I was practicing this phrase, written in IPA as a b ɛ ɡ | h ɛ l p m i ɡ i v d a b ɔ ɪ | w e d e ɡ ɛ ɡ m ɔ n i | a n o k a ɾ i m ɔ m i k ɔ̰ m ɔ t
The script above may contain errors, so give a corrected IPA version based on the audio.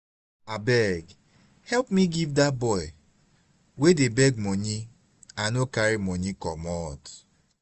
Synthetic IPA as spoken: a b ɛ ɡ | h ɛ l p m i ɡ i v d a b ɔ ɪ | w e d e b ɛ ɡ m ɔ ɲ i | a n o k a ɾ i m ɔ ɲ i k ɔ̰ m ɔ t

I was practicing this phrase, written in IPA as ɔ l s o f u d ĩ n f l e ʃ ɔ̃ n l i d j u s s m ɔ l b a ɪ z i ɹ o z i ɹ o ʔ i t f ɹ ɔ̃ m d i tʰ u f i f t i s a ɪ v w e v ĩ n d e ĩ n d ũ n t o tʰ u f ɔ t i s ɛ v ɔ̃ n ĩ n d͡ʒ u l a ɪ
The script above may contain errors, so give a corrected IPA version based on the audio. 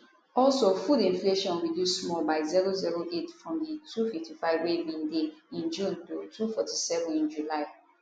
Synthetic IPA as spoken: ɔ l s o f u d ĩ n f l e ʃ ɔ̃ n ɹ i d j u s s m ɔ l b a ɪ z i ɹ o z i ɹ o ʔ e t f ɹ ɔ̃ m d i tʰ u f i f t i f a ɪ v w e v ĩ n d e ĩ n d͡ʒ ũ n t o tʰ u f ɔ t i s ɛ v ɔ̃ n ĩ n d͡ʒ u l a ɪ

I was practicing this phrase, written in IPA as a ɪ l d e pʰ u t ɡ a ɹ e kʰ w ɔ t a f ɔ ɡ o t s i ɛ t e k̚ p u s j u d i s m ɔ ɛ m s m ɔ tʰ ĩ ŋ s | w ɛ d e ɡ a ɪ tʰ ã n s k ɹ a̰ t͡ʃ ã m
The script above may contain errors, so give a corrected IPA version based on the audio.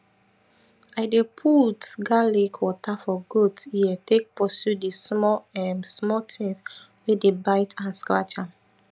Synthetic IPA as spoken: a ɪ d e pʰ u t ɡ a l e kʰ w ɔ t a f ɔ ɡ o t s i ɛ t e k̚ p ɔ s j u d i s m ɔ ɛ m s m ɔ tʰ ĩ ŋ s | w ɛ d e b a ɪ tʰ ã n s k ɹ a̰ t͡ʃ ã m

